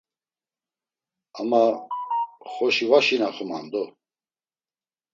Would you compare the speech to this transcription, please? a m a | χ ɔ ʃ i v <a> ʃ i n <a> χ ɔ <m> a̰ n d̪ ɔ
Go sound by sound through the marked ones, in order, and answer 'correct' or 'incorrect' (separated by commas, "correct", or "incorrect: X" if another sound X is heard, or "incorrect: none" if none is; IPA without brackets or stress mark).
correct, correct, correct